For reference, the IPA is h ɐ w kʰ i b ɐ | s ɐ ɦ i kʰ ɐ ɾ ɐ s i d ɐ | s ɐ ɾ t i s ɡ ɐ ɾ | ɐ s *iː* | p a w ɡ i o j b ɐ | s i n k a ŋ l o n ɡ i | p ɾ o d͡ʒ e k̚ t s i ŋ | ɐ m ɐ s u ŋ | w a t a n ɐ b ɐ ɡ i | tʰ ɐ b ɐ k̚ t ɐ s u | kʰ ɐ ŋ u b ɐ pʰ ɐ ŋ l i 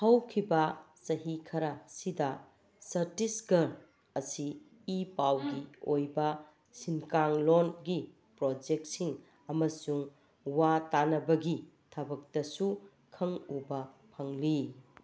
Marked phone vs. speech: correct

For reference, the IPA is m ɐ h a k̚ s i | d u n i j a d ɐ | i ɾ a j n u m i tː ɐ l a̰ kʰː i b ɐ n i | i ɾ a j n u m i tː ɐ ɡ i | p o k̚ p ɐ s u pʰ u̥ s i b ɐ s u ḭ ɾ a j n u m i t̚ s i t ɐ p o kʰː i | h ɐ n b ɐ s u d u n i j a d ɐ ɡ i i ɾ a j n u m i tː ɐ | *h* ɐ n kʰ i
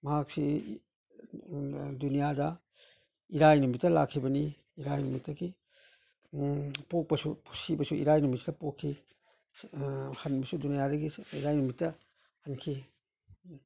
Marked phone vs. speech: correct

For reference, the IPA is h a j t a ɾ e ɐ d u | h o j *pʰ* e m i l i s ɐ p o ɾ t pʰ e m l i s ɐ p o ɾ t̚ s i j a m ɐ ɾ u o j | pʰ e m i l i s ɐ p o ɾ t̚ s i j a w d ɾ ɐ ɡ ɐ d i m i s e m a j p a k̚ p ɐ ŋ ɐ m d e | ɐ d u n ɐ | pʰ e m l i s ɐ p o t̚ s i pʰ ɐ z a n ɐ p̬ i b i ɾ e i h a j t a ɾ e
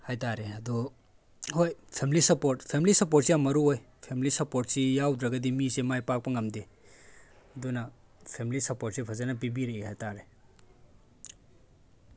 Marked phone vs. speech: correct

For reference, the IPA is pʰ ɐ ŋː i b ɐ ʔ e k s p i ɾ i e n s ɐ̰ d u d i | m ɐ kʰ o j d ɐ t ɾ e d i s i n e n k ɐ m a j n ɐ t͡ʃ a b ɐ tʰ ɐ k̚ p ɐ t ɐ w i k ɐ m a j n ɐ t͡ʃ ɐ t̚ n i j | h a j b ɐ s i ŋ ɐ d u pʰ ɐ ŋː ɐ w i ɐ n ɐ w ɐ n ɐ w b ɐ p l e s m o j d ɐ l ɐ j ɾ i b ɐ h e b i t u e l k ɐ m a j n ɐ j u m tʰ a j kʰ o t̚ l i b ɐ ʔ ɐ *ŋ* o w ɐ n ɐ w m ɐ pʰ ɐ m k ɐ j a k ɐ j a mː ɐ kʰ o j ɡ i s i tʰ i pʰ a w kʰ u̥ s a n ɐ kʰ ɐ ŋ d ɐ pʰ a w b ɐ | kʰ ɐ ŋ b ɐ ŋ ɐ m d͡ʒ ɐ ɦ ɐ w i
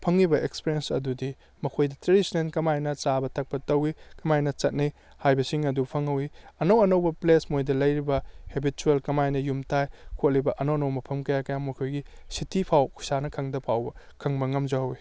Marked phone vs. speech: incorrect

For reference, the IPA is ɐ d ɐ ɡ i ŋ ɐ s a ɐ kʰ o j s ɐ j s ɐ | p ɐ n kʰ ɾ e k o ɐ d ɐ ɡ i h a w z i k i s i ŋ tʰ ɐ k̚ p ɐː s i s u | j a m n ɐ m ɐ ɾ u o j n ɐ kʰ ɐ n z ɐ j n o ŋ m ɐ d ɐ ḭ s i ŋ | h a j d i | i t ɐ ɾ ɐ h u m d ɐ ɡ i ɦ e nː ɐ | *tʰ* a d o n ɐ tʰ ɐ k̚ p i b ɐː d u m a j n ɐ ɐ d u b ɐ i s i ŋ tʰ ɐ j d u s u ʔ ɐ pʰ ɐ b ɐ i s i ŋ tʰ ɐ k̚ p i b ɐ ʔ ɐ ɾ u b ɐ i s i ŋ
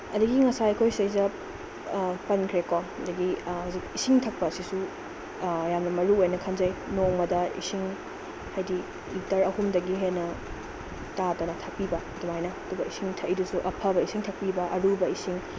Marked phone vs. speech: incorrect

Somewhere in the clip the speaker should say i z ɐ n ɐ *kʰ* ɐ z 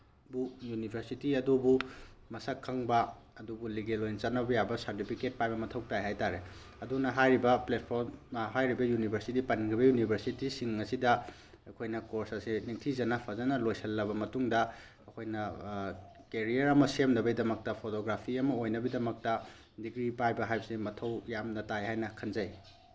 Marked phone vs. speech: incorrect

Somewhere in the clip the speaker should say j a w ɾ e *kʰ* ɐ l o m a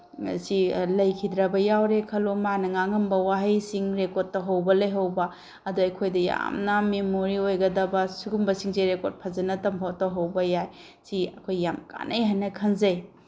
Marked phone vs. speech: correct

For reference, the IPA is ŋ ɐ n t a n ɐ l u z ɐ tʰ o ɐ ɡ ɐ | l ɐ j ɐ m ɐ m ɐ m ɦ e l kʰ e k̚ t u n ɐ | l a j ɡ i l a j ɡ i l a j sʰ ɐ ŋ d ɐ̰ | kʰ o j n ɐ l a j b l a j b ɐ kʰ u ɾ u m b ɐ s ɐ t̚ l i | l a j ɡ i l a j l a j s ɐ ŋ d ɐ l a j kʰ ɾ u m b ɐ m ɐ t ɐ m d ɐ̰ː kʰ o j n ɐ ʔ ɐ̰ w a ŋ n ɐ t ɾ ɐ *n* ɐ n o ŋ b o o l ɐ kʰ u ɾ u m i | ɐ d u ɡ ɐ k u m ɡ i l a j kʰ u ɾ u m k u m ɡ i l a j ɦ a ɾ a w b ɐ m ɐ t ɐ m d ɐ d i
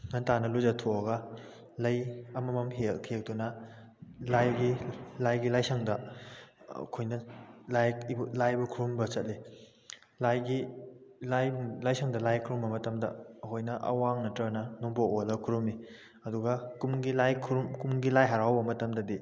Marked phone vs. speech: correct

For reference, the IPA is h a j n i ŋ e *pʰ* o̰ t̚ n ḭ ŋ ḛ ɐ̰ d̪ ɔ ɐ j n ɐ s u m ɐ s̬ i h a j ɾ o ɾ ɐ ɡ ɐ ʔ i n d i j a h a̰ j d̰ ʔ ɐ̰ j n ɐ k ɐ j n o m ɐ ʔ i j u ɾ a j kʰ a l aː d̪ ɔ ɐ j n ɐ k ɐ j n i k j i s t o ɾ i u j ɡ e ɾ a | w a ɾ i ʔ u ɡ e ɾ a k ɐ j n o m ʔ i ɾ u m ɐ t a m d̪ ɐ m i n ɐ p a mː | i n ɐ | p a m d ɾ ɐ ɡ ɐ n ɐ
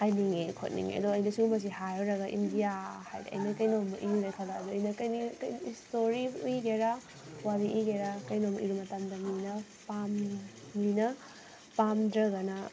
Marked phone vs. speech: incorrect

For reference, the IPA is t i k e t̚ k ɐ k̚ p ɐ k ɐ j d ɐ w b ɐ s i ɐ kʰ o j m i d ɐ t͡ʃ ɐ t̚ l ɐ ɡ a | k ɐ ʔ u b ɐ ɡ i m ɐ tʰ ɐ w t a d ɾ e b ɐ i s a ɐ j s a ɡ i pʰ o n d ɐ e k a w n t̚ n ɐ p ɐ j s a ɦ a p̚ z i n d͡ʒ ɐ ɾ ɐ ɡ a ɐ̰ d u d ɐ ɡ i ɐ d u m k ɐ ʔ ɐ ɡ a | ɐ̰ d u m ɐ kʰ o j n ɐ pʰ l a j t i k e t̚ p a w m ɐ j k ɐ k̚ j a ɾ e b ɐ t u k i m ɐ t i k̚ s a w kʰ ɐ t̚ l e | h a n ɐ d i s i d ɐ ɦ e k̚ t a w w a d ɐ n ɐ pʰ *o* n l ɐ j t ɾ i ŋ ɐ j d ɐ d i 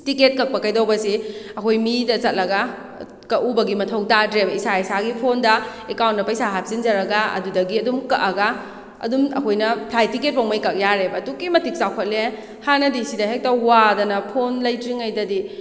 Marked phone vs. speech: correct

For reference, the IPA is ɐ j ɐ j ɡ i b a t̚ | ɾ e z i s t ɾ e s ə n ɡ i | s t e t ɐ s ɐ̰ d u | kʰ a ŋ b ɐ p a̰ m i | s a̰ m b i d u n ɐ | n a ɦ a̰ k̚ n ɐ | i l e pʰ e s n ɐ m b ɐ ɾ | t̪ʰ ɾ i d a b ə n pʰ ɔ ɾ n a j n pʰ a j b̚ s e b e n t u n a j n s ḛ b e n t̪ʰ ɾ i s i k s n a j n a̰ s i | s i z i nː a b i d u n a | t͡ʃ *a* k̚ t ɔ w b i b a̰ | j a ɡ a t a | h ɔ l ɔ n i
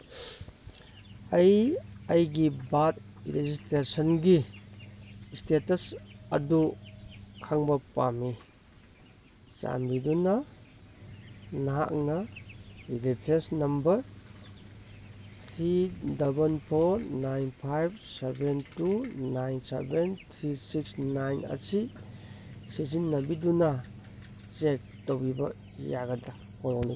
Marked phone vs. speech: incorrect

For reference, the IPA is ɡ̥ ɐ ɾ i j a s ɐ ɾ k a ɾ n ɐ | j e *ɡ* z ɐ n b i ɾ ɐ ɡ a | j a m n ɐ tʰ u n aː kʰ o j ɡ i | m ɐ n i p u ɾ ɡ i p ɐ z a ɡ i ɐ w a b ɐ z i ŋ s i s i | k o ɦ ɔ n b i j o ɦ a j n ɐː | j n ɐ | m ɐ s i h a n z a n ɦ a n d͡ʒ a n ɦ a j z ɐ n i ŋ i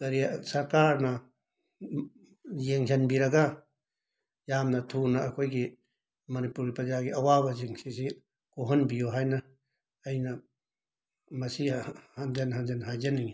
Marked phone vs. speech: incorrect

